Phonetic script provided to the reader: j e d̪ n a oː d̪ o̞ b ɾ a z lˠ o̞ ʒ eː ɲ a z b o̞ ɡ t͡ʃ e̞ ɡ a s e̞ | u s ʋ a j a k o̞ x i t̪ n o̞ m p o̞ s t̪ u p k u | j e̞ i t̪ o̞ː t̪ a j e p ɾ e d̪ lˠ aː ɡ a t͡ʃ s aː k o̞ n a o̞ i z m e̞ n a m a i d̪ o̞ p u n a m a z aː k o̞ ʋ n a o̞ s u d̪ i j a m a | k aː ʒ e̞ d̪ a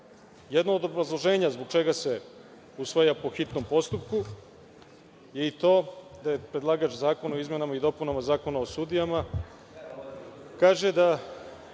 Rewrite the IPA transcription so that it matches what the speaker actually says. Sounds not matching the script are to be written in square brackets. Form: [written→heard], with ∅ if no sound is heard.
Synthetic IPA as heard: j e d̪ n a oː d̪ o̞ b ɾ a z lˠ o̞ ʒ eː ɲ a z b o̞ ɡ t͡ʃ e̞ ɡ a s e̞ | u s ʋ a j a [k→p] o̞ x i t̪ n o̞ m p o̞ s t̪ u p k u | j e̞ i t̪ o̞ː [t̪→d̪] a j e p ɾ e d̪ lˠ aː ɡ a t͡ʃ [s→z] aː k o̞ n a o̞ i z m e̞ n a m a i d̪ o̞ p u n a m a z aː k o̞ [ʋ→∅] n a o̞ s u d̪ i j a m a | k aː ʒ e̞ d̪ a